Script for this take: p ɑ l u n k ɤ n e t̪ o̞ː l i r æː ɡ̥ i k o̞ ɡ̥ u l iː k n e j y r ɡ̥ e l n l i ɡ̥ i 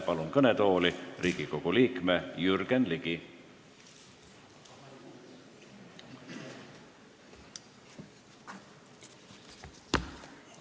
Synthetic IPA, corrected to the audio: p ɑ l u n k ɤ n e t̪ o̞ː l i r iː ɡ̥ i k o̞ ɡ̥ u l iː k m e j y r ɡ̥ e n l i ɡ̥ i